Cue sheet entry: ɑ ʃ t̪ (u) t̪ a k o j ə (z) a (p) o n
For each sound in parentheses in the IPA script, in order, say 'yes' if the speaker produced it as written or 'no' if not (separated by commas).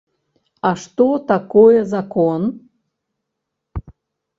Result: no, yes, no